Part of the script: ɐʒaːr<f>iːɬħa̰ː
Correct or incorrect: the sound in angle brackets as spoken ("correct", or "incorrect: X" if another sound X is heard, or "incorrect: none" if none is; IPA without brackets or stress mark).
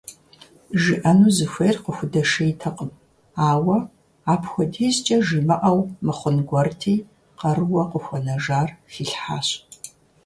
correct